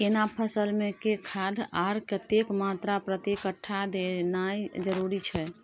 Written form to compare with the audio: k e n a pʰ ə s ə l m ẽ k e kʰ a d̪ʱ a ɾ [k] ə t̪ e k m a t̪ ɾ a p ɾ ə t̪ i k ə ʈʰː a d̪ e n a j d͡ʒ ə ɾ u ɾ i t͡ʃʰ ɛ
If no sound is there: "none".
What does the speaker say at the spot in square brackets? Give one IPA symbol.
k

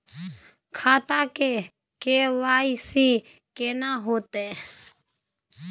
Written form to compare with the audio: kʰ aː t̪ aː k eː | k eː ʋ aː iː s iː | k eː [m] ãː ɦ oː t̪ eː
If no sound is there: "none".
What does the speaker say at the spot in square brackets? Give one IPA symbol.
n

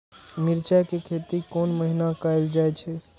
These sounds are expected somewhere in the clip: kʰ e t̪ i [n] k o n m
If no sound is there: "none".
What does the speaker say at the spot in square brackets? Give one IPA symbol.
none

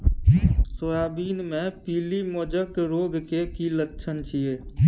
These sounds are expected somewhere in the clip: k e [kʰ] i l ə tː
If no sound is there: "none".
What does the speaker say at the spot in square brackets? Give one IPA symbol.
k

